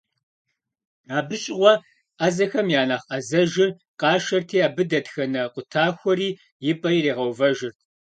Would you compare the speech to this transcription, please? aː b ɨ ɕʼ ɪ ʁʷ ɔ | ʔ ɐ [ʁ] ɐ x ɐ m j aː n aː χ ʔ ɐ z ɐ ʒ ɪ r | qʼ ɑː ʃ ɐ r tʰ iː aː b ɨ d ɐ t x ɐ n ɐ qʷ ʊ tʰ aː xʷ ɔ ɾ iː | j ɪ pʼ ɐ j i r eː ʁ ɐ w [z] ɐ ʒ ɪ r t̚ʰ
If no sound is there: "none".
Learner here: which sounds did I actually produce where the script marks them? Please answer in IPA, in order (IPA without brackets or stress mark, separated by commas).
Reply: z, v